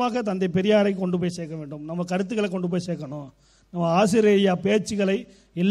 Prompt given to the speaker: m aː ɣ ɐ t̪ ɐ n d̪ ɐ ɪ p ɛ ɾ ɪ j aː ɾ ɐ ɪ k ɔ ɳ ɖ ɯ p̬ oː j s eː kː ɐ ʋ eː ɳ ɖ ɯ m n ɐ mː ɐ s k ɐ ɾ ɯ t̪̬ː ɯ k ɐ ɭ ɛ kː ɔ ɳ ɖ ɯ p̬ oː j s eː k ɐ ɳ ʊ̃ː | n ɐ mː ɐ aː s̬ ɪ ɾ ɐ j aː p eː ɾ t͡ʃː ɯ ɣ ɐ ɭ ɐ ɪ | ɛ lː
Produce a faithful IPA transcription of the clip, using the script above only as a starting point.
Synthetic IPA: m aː ɣ ɐ t̪ ɐ n d̪ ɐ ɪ p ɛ ɾ ɪ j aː ɾ ɐ ɪ k ɔ ɳ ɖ ɯ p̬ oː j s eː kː ɐ ʋ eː ɳ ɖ ɯ m n ɐ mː ɐ k ɐ ɾ ɯ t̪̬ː ɯ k ɐ ɭ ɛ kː ɔ ɳ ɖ ɯ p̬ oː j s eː k ɐ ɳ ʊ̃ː | n ɐ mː ɐ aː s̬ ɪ ɾ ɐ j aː p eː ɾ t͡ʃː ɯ ɣ ɐ ɭ ɐ ɪ | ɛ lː